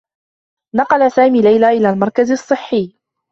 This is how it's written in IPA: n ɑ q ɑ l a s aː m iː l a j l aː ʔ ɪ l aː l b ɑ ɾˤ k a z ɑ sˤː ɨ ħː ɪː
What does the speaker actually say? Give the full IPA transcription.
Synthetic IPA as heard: n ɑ q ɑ l a s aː m iː l a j l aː ʔ ɪ l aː l m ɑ ɾˤ k a z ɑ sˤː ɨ ħː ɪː